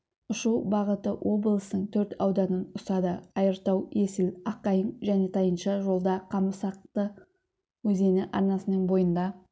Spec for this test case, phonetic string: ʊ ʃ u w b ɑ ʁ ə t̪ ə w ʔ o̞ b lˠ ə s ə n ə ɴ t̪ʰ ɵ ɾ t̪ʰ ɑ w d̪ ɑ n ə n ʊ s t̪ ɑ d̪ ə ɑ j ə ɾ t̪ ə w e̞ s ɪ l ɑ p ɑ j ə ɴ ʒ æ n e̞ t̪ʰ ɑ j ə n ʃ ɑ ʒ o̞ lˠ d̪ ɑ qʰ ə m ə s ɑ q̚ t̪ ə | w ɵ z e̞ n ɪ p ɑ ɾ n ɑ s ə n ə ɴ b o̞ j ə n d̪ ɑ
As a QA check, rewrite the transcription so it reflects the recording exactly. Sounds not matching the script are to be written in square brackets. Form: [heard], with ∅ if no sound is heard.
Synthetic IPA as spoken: ʊ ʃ u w b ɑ ʁ ə t̪ ə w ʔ o̞ b lˠ ə s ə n ə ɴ t̪ʰ ɵ ɾ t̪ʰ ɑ w d̪ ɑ n ə n ʊ s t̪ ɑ d̪ ə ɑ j ə ɾ t̪ [ɑ] w e̞ s ɪ l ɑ [q] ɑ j ə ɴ ʒ æ n e̞ t̪ʰ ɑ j ə n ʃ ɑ ʒ o̞ lˠ d̪ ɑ qʰ [ɑ] m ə s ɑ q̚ t̪ ə | w ɵ z e̞ n ɪ [ʔ] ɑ ɾ n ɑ s ə n ə ɴ b o̞ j ə n d̪ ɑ

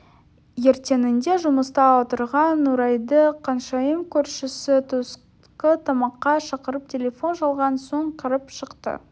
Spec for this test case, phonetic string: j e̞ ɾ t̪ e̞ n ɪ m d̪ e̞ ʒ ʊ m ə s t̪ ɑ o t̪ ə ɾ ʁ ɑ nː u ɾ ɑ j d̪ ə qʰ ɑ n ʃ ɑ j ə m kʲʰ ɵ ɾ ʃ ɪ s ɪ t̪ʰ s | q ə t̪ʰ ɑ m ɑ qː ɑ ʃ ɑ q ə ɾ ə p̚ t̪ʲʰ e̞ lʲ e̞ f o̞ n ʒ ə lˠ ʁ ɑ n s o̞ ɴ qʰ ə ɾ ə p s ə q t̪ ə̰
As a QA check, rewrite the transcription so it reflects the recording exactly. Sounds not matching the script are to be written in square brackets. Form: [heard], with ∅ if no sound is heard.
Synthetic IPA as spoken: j e̞ ɾ t̪ e̞ n ɪ [n] d̪ e̞ ʒ ʊ m ə s t̪ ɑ o t̪ ə ɾ ʁ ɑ nː u ɾ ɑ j d̪ ə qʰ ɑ n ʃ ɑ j ə m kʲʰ ɵ ɾ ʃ ɪ s ɪ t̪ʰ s | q ə t̪ʰ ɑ m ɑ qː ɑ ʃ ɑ q ə ɾ ə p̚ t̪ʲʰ e̞ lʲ e̞ f o̞ n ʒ [ɑ] lˠ ʁ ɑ n s o̞ ɴ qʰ ə ɾ ə p [ʃ] ə q t̪ ə̰

